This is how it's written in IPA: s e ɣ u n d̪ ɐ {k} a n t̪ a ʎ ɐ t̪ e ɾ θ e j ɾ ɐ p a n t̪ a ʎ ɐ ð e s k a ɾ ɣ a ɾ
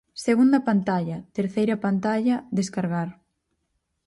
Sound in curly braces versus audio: incorrect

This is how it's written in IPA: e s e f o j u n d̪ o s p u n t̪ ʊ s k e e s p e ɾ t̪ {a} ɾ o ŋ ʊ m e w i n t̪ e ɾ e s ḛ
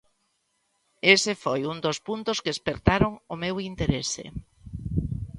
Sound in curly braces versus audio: correct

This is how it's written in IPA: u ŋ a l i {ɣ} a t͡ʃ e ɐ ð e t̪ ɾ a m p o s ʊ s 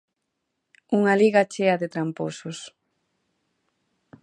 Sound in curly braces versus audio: correct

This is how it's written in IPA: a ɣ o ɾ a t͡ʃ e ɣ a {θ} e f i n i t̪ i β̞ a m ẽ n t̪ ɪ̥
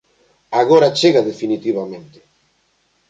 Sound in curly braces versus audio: incorrect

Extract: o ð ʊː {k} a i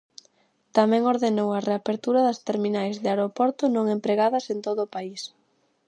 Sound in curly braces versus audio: incorrect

